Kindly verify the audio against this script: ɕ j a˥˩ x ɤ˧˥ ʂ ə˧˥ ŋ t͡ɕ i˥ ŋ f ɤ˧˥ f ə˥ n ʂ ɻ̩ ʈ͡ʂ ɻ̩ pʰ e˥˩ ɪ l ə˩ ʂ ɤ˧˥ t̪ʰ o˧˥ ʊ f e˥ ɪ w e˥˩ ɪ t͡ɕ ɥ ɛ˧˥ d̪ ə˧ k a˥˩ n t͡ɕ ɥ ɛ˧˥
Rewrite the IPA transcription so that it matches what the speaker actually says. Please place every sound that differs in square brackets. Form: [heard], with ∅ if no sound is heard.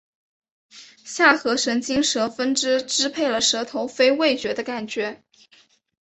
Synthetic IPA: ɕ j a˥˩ x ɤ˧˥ ʂ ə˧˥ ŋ t͡ɕ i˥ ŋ [ʂ] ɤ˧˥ f ə˥ n [ʈ͡ʂ] ɻ̩ ʈ͡ʂ ɻ̩ pʰ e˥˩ ɪ l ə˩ ʂ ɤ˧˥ t̪ʰ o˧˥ ʊ f e˥ ɪ w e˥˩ ɪ t͡ɕ ɥ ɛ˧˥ d̪ ə˧ k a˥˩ n t͡ɕ ɥ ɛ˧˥